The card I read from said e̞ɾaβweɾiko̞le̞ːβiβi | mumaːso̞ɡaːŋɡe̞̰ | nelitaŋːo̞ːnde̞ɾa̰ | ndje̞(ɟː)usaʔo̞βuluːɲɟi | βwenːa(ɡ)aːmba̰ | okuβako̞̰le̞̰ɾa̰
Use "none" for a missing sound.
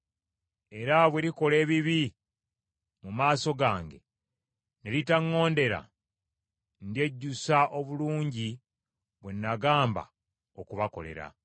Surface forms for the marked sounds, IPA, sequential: ɟː, ɡ

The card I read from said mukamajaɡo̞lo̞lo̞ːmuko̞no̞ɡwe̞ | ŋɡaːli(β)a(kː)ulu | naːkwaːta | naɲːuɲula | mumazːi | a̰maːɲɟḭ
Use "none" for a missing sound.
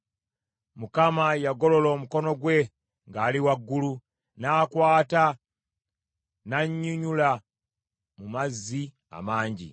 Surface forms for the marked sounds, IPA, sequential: w, ɡː

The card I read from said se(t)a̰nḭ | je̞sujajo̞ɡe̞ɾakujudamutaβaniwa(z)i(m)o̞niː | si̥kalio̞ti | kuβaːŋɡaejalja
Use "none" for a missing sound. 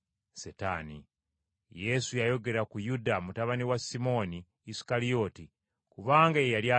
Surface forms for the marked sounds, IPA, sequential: t, s, m

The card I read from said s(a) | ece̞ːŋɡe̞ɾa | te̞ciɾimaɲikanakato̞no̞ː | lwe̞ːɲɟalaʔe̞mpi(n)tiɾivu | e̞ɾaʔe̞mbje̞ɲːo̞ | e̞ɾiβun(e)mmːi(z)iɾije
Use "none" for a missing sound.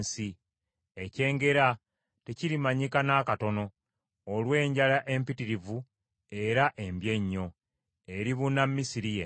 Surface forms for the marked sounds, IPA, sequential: i, none, a, s

